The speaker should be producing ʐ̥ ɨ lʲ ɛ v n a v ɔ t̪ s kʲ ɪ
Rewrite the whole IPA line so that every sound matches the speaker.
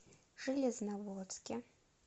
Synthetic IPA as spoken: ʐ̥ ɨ lʲ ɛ z n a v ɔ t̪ s kʲ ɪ